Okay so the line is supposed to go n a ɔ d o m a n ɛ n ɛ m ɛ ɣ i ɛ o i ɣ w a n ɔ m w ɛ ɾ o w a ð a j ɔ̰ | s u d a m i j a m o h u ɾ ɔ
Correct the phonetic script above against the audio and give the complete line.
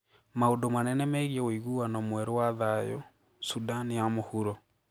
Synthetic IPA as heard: m a o d o m a n ɛ n ɛ m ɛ ɣ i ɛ o i ɣ u a n ɔ m w ɛ ɾ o w a ð a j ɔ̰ | s u d a n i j a m o h u ɾ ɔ